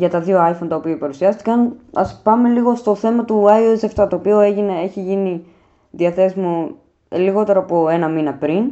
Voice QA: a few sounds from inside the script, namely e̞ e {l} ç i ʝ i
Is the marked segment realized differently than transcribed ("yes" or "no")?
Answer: yes